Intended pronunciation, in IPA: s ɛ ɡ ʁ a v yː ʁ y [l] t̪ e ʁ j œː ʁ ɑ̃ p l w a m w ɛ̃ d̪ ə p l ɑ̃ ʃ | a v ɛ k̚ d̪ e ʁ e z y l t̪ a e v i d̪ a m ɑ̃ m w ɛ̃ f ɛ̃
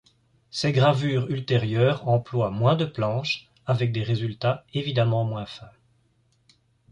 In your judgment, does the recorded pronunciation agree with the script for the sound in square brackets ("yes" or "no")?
yes